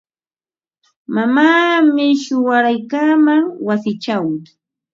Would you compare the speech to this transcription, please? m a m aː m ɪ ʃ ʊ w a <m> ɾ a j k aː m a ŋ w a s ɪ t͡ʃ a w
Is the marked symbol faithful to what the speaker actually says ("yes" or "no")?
no